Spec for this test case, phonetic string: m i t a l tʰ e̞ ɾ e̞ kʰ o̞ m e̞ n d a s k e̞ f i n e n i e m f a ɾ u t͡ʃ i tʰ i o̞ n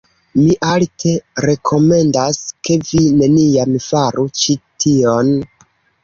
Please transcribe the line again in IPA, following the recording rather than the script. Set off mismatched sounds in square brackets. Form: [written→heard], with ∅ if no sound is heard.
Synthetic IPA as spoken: m i [t→ʔ] a l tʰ e̞ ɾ e̞ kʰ o̞ m e̞ n d a s k e̞ [f→v] i n e n i [e→a] m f a ɾ u t͡ʃ i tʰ i o̞ n

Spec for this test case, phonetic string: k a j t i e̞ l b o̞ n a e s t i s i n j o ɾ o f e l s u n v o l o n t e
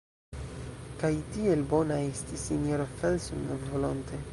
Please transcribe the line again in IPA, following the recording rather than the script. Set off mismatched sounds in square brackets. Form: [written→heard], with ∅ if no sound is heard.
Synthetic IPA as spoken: k a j t i e̞ l b o̞ n a e s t i s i n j o ɾ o f e l s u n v o l o n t e

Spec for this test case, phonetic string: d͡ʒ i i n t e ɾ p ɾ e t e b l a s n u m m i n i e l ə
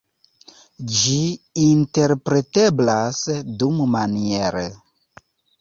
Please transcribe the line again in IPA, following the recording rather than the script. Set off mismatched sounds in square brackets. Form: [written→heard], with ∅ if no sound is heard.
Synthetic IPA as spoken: d͡ʒ i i n t e ɾ p ɾ e t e b l a s [n→d] u m m [i→a] n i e [l→ɾ] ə

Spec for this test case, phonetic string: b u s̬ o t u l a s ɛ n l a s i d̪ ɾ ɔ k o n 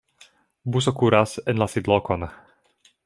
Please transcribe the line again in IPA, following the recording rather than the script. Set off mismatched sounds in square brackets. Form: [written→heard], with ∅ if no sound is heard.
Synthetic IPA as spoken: b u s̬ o [t→k] u [l→ɾ] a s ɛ n l a s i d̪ [ɾ→l] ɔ k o n

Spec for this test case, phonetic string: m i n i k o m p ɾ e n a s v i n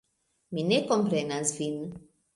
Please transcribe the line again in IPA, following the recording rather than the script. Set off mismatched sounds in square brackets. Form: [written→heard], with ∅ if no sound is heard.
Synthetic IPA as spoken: m i n [i→e] k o m p ɾ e n a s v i n

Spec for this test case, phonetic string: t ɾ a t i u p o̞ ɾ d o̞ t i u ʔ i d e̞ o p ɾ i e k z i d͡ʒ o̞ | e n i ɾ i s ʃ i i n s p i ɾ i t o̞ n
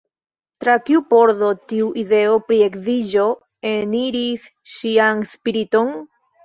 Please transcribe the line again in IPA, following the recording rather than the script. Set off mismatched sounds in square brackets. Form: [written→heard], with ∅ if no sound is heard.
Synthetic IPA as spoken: t ɾ a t i u p o̞ ɾ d o̞ t i u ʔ i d e̞ o p ɾ i e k z i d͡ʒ o̞ | e n i ɾ i s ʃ i [i→a] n s p i ɾ i t o̞ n

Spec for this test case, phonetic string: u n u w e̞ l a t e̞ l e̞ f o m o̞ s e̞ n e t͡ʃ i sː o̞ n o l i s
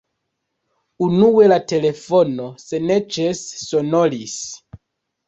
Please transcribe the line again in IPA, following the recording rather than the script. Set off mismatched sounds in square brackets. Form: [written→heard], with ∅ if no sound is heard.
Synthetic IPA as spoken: u n u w e̞ l a t e̞ l e̞ f o [m→n] o̞ s e̞ n e t͡ʃ [i→e] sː o̞ n o l i s

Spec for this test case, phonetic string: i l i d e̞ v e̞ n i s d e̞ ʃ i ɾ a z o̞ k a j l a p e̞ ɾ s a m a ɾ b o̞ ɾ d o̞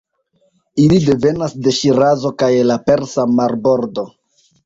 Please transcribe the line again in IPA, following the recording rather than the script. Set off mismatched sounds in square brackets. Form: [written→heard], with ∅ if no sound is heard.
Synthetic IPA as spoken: i l i d e̞ v e̞ n [i→a] s d e̞ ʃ i ɾ a z o̞ k a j l a p e̞ ɾ s a m a ɾ b o̞ ɾ d o̞

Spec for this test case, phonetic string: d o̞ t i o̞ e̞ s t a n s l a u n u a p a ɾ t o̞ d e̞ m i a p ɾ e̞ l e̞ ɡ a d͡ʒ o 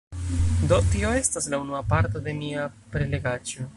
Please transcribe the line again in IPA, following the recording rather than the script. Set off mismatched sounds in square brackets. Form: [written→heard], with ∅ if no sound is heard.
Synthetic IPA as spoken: d o̞ t i o̞ e̞ s t a [n→∅] s l a u n u a p a ɾ t o̞ d e̞ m i a p ɾ e̞ l e̞ ɡ a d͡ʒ o

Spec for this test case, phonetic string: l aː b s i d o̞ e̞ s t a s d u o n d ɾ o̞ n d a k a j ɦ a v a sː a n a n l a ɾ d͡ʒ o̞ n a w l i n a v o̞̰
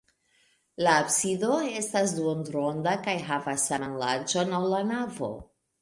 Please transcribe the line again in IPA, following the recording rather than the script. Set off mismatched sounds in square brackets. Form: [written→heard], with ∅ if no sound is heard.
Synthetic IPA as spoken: l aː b s i d o̞ e̞ s t a s d u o n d ɾ o̞ n d a k a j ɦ a v a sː a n a n l a ɾ d͡ʒ o̞ n a w l [i→a] n a v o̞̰

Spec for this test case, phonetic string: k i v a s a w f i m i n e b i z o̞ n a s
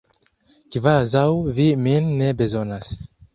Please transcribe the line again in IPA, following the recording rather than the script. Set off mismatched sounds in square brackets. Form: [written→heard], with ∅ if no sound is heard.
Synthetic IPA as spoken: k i v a [s→z] a w [f→v] i m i [n→nː] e b [i→e] z o̞ n a s

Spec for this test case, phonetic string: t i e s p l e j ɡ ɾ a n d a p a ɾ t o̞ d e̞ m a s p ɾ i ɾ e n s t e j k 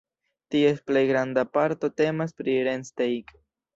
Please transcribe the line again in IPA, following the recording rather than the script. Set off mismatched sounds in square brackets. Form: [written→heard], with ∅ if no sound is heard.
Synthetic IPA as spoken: t i e s p l e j ɡ ɾ a n d a p a ɾ t o̞ [d→t] e̞ m a s p ɾ i ɾ e n s t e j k

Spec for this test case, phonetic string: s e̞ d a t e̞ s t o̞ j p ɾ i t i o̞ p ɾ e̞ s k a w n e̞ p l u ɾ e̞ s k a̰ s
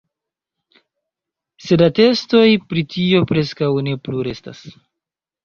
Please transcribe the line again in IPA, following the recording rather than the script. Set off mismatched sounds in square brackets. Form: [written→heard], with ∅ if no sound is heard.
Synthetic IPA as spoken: s e̞ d a t e̞ s t o̞ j p ɾ i t i o̞ p ɾ e̞ s k a w n e̞ p l u ɾ e̞ s [k→t] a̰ s

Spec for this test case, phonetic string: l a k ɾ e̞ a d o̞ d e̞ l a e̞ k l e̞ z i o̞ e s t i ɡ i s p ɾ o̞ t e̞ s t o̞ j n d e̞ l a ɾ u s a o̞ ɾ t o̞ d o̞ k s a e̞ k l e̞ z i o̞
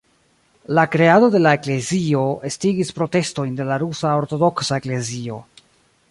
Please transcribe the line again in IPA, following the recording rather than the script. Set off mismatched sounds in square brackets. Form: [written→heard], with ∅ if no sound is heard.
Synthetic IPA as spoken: l a k ɾ e̞ a d o̞ d e̞ l a e̞ k l e̞ z i o̞ e s t i ɡ i s p ɾ o̞ t e̞ s t o̞ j n d e̞ l a ɾ u s a o̞ ɾ t o̞ d o̞ k s a e̞ k l e̞ z i o̞

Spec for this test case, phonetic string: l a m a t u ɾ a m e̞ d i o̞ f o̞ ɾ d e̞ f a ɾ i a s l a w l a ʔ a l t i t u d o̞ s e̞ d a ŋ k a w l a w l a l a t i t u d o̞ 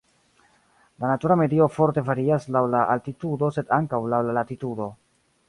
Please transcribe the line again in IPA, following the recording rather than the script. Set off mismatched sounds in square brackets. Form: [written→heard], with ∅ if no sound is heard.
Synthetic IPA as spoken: l a [m→n] a t u ɾ a m e̞ d i o̞ f o̞ ɾ [d→t] e̞ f a ɾ i a s l a w l a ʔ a l t i t u d o̞ s e̞ d a ŋ k a w l a w l a l a t i t u d o̞

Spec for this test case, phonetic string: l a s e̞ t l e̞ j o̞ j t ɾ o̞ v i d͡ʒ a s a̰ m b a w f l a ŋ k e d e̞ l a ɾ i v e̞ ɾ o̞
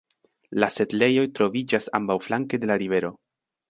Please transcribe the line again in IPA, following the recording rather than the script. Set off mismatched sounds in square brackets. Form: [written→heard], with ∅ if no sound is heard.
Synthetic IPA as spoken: l a s e̞ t l e̞ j o̞ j t ɾ o̞ v i d͡ʒ a s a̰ m b a w f l a ŋ k e d e̞ l a ɾ i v e̞ ɾ o̞

